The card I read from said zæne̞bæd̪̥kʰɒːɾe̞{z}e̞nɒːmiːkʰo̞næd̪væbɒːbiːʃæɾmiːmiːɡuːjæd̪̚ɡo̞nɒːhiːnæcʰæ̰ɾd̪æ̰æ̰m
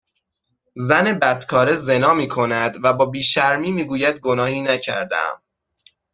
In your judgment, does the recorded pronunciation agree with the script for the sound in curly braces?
yes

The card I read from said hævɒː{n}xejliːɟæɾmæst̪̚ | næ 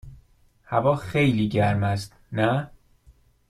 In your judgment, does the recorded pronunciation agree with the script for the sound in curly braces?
no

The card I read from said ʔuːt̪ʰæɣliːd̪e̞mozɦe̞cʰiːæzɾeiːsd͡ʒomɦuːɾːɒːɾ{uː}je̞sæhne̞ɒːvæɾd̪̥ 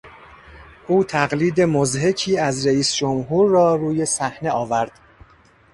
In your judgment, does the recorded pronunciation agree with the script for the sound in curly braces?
yes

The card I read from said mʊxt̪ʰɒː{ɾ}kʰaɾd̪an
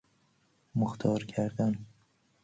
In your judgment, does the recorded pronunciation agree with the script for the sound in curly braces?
yes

